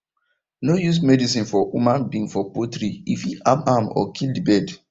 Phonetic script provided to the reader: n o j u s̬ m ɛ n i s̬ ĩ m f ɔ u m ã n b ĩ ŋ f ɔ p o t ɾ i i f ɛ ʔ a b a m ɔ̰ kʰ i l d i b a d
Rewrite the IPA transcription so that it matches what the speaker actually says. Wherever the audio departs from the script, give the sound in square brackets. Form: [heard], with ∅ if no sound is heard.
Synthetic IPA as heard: n o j u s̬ m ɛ [d] i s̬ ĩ [n] f ɔ u m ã n b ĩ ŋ f ɔ p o t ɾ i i f [i] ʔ a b a m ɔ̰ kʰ i l d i b [ɛ] d